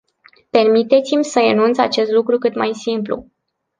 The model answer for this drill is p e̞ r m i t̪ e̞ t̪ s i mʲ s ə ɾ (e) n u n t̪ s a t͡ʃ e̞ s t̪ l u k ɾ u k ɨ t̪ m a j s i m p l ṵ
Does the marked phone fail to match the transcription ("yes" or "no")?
no